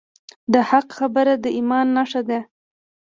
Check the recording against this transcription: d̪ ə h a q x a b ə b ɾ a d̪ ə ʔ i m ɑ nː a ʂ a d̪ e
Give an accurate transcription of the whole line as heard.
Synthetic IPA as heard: d̪ ə h a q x a b ə ɾ a d̪ ə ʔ i m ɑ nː a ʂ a d̪ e